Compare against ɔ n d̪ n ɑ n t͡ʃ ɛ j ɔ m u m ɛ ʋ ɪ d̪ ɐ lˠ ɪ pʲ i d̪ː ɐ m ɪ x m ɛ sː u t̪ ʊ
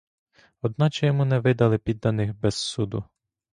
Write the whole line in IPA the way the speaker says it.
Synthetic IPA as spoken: ɔ d̪ n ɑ t͡ʃ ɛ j ɔ m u n ɛ ʋ ɪ d̪ ɐ lˠ ɪ pʲ i d̪ː ɐ n ɪ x b ɛ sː u d̪ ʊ